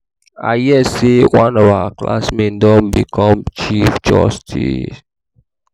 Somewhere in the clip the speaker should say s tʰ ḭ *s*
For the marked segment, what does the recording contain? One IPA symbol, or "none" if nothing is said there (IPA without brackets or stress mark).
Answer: s